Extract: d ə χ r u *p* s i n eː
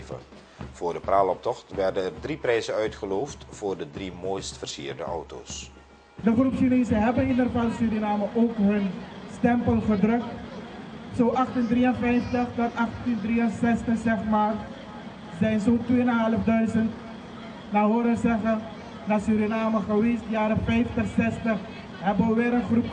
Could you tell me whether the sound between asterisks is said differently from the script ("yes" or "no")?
no